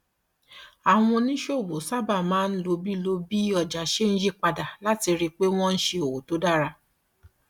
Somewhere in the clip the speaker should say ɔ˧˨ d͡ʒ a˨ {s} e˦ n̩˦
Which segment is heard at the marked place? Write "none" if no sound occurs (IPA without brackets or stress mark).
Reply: ʃ